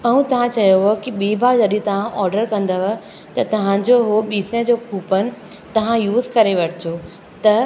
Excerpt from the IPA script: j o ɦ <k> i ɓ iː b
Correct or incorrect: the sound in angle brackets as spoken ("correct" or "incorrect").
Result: correct